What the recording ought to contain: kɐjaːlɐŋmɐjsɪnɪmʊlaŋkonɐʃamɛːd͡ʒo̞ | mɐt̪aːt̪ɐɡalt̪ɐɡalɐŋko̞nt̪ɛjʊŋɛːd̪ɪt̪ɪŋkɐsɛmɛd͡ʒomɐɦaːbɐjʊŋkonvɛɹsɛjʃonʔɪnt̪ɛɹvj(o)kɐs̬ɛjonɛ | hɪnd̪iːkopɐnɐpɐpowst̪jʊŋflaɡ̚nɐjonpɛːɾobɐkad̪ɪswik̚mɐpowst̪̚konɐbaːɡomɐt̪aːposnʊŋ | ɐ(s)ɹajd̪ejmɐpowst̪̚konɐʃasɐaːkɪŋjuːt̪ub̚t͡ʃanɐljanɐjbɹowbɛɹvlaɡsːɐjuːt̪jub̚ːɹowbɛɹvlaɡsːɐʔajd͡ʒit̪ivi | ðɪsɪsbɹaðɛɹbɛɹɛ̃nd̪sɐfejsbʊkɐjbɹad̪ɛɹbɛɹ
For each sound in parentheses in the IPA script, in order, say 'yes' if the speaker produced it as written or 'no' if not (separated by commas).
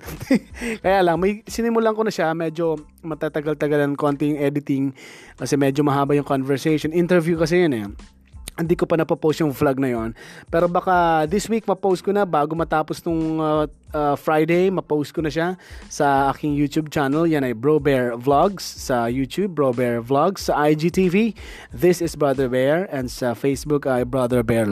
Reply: no, no